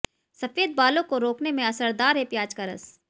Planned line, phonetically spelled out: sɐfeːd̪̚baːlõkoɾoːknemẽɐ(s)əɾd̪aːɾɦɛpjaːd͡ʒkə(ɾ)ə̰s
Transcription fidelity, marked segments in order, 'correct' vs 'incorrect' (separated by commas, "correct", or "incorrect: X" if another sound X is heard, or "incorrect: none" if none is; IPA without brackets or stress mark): correct, correct